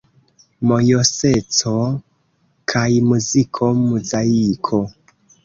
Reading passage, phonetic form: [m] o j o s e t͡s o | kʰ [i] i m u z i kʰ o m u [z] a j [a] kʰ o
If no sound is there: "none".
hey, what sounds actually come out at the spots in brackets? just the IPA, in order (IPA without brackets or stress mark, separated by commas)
m, a, z, i